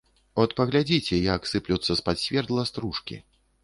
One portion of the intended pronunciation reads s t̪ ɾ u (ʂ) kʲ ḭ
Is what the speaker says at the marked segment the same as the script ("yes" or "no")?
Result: yes